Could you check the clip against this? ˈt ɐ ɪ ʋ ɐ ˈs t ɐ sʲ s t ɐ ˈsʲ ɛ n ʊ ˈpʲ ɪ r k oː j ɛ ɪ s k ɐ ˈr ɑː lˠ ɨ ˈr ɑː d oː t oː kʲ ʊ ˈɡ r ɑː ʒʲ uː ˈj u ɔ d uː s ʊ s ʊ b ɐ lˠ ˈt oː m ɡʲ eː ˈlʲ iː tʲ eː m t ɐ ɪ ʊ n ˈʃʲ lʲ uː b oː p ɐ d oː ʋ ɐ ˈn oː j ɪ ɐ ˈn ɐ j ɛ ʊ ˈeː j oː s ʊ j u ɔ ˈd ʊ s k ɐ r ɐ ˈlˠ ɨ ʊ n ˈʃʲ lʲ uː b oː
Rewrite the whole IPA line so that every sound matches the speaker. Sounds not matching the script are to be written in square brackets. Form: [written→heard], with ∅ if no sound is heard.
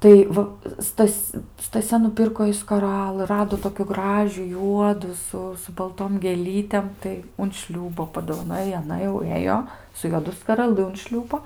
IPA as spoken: ˈt ɐ ɪ ʋ ɐ ˈs t ɐ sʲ s t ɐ ˈsʲ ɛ n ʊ ˈpʲ ɪ r k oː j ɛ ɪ s k ɐ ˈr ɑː lˠ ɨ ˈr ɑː d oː t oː kʲ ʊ ˈɡ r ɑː ʒʲ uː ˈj u ɔ d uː s ʊ s ʊ b ɐ lˠ ˈt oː m ɡʲ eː ˈlʲ iː tʲ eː m t ɐ ɪ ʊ n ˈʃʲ lʲ uː b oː p ɐ d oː ʋ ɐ ˈn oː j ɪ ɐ ˈn ɐ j ɛ ʊ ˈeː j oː s ʊ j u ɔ ˈd ʊ s k ɐ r ɐ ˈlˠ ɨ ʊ n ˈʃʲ lʲ uː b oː